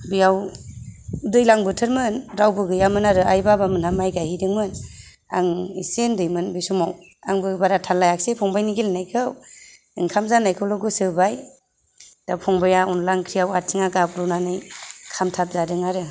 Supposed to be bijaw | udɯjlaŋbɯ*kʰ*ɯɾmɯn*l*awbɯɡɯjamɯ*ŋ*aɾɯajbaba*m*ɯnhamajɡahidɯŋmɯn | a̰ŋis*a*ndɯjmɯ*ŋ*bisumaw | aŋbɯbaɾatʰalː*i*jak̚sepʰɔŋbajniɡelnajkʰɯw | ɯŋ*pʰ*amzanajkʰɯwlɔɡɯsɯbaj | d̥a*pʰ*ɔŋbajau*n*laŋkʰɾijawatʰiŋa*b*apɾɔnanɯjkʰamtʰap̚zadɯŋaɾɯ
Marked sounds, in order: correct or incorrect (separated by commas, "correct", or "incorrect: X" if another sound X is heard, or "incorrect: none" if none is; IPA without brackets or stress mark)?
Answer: incorrect: tʰ, incorrect: ɾ, incorrect: n, correct, incorrect: e, incorrect: n, incorrect: a, incorrect: kʰ, correct, correct, incorrect: ɡ